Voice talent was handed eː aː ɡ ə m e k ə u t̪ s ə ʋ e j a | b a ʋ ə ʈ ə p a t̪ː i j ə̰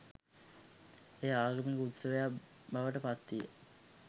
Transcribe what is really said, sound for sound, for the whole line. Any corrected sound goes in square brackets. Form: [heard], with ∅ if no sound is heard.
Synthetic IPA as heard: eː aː ɡ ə m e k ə u t̪ s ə ʋ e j a | b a ʋ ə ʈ ə p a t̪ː i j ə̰